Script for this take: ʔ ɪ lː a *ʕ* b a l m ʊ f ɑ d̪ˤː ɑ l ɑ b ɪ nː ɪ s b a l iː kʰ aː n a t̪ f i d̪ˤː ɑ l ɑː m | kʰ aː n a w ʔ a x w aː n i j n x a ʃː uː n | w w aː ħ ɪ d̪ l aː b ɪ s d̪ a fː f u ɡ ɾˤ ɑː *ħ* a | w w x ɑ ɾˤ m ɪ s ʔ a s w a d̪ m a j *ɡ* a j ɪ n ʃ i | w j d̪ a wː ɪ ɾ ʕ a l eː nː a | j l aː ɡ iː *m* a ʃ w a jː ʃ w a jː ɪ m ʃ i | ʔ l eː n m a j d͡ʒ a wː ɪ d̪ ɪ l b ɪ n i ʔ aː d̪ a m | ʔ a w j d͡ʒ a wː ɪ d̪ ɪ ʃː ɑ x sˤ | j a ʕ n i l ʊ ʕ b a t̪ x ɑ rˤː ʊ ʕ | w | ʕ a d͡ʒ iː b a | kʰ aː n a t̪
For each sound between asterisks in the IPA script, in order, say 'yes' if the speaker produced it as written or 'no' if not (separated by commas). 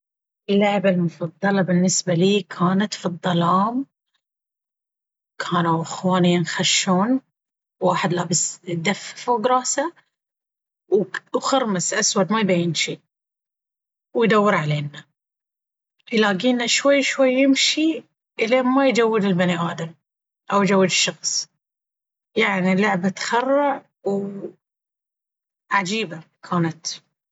yes, no, no, no